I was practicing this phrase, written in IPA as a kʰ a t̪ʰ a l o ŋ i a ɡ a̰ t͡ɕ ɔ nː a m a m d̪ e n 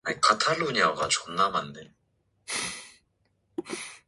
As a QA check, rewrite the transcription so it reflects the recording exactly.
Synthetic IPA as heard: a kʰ a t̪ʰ a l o ɲ i a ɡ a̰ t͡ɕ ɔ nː a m a n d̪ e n